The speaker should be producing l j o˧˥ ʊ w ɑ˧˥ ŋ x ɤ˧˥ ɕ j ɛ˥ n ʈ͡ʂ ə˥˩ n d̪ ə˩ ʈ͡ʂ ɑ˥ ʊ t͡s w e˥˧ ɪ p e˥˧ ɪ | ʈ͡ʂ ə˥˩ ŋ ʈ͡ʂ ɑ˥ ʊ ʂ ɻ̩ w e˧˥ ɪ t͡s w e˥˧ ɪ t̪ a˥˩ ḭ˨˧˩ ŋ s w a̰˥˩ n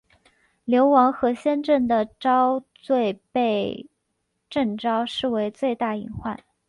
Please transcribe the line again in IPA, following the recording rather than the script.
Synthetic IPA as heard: l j o˧˥ ʊ w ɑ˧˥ ŋ x ɤ˧˥ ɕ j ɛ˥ n ʈ͡ʂ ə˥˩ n d̪ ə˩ ʈ͡ʂ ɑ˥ ʊ t͡s w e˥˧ ɪ p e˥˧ ɪ | ʈ͡ʂ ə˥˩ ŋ ʈ͡ʂ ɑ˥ ʊ ʂ ɻ̩ w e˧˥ ɪ t͡s w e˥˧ ɪ t̪ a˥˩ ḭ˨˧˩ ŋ x w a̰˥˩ n

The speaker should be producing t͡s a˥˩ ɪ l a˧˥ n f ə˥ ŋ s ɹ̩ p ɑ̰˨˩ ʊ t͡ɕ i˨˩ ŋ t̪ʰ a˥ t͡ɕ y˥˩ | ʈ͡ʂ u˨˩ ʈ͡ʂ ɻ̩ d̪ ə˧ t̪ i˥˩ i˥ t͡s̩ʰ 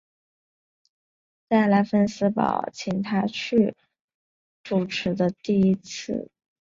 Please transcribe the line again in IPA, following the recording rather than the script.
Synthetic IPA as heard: t͡s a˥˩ ɪ l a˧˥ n f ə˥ n s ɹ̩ p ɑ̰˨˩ ʊ t͡ɕʰ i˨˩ ŋ t̪ʰ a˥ t͡ɕʰ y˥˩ | ʈ͡ʂ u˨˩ ʈ͡ʂʰ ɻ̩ d̪ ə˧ t̪ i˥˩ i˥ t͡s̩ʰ

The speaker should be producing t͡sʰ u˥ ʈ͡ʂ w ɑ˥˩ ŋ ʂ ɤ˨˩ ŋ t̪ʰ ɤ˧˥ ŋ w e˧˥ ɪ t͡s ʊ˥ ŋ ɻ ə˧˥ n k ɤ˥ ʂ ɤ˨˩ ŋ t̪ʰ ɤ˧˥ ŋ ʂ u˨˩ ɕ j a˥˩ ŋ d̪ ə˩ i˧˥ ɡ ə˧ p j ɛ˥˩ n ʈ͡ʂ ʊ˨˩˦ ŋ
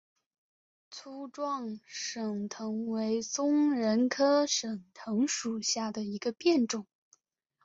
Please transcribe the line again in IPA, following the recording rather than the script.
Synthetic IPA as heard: t͡sʰ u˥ ʈ͡ʂ w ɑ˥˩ ŋ ʂ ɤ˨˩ ŋ t̪ʰ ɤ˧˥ ŋ w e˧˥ ɪ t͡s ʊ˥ ŋ ɻ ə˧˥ n kʰ ɤ˥ ʂ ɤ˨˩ ŋ t̪ʰ ɤ˧˥ ŋ ʂ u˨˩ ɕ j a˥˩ d̪ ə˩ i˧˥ ɡ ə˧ p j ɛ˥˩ n ʈ͡ʂ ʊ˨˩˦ ŋ

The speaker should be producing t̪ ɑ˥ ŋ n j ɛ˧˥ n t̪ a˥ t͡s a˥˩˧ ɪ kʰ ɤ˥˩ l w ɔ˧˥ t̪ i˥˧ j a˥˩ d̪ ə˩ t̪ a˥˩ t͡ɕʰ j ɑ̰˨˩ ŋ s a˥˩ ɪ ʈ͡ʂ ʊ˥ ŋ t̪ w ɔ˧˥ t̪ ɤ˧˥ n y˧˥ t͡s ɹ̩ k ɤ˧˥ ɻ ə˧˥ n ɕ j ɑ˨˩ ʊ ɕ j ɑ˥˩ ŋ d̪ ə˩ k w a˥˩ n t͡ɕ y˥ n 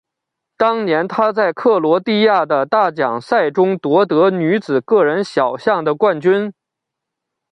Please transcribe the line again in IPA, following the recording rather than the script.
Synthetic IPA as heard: t̪ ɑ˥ ŋ n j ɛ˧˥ n t̪ʰ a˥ t͡s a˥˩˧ ɪ kʰ ɤ˥˩ l w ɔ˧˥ t̪ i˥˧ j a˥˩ d̪ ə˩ t̪ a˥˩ t͡ɕ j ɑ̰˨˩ ŋ s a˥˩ ɪ ʈ͡ʂ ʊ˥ ŋ t̪ w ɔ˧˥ t̪ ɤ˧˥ n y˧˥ t͡s ɹ̩ k ɤ˥˩ ɻ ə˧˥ n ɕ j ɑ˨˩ ʊ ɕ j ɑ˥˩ ŋ d̪ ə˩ k w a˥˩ n t͡ɕ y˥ n

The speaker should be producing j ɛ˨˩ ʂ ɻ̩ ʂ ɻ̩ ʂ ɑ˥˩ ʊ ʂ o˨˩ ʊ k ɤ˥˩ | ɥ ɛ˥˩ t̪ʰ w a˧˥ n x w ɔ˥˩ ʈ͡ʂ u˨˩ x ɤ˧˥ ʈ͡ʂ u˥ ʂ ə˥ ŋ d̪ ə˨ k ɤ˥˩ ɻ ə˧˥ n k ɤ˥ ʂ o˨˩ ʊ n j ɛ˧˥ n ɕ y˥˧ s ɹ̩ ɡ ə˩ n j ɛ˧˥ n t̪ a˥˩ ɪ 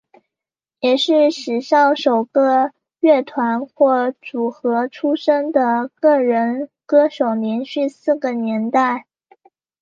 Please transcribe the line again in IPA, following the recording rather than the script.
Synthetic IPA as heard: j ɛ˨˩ ʂ ɻ̩ ʂ ɻ̩ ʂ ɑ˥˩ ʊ ʂ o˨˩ ʊ k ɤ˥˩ | ɥ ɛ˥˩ t̪ʰ w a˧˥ n x w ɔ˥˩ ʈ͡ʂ u˨˩ x ɤ˧˥ ʈ͡ʂʰ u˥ ʂ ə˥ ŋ d̪ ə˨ k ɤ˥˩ ɻ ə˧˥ n k ɤ˥ ʂ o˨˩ ʊ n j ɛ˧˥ n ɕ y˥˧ s ɹ̩ ɡ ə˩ n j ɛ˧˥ n t̪ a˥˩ ɪ

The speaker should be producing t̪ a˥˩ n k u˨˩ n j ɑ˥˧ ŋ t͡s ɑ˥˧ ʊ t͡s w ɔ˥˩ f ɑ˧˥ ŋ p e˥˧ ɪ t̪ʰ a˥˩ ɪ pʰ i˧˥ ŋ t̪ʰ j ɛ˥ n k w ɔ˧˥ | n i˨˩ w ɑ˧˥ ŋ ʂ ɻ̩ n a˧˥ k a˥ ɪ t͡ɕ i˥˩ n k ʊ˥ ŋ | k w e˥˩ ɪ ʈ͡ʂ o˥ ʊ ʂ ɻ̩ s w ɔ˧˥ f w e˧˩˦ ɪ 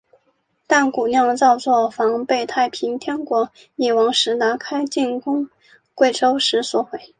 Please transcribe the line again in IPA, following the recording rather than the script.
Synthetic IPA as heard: t̪ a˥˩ n k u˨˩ n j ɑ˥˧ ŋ t͡s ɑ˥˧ ʊ t͡s w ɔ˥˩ f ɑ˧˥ ŋ p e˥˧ ɪ t̪ʰ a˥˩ ɪ pʰ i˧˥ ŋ t̪ʰ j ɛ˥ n k w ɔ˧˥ | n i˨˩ w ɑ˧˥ ŋ ʂ ɻ̩ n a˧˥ kʰ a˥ ɪ t͡ɕ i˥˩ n k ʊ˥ ŋ | k w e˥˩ ɪ ʈ͡ʂ o˥ ʊ ʂ ɻ̩ s w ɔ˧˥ x w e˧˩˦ ɪ

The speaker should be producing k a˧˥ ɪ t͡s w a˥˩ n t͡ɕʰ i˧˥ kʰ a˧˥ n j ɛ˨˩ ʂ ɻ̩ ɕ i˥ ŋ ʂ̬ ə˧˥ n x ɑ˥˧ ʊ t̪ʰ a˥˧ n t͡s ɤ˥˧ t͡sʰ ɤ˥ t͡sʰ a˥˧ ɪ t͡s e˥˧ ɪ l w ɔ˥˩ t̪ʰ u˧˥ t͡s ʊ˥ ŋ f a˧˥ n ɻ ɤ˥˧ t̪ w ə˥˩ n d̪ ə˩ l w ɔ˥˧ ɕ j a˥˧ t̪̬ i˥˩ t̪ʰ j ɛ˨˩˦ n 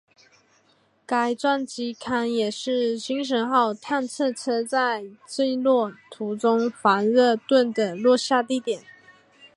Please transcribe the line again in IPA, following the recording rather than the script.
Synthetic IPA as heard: k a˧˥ ɪ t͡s w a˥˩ n t͡ɕ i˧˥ kʰ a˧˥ n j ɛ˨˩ ʂ ɻ̩ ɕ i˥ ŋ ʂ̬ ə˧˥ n x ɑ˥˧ ʊ t̪ʰ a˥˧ n t͡sʰ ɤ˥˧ t͡sʰ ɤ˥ t͡s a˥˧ ɪ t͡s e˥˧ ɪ l w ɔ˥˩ t̪ʰ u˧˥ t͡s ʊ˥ ŋ f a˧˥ n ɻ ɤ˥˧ t̪ w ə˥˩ n d̪ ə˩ l w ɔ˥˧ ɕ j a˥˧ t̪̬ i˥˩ t̪ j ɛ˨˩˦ n

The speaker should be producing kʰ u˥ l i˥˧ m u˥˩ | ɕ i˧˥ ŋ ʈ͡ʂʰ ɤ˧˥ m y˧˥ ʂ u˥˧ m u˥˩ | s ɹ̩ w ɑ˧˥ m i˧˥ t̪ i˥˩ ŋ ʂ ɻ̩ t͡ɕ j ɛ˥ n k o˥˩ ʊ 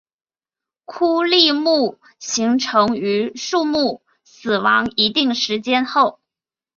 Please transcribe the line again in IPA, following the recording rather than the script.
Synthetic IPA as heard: kʰ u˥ l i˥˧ m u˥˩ | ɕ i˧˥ ŋ ʈ͡ʂʰ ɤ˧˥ ŋ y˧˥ ʂ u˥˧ m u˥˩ | s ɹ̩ w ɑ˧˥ ŋ i˧˥ t̪ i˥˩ ŋ ʂ ɻ̩ t͡ɕ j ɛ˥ n x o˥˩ ʊ

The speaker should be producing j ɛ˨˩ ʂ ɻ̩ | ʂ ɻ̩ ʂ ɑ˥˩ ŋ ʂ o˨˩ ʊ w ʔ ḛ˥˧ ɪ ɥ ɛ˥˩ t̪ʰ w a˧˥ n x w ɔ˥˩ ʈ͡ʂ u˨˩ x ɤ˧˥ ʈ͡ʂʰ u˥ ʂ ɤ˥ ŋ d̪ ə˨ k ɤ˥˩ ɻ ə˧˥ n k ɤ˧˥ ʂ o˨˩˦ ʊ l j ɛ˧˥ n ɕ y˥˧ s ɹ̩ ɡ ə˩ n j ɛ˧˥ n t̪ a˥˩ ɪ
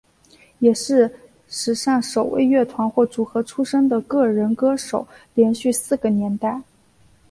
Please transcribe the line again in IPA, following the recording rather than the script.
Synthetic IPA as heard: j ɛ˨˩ ʂ ɻ̩ | ʂ ɻ̩ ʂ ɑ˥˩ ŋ ʂ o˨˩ ʊ w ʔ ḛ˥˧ ɪ ɥ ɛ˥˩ t̪ʰ w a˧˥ n x w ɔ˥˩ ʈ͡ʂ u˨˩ x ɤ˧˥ ʈ͡ʂʰ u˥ ʂ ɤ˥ ŋ d̪ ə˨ k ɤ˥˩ ɻ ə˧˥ n k ɤ˥ ʂ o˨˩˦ ʊ l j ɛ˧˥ n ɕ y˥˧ s ɹ̩ ɡ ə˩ n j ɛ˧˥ n t̪ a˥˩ ɪ

